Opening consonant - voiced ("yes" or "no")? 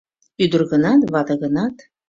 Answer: yes